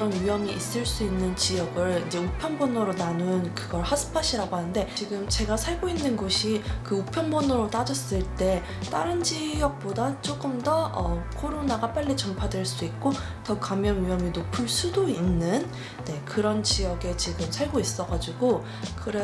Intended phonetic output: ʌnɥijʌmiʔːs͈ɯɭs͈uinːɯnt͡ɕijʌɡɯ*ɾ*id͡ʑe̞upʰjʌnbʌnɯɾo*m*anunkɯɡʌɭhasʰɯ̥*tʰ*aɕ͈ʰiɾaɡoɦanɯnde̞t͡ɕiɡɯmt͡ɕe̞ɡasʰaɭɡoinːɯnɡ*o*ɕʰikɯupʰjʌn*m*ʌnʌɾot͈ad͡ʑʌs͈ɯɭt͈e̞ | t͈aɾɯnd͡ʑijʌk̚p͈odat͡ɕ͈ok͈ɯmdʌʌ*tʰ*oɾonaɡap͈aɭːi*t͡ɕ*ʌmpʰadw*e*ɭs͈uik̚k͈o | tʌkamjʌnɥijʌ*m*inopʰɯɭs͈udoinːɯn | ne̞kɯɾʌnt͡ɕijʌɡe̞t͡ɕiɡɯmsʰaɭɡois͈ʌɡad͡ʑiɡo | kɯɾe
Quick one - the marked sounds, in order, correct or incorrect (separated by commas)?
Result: incorrect, incorrect, incorrect, correct, incorrect, incorrect, correct, correct, correct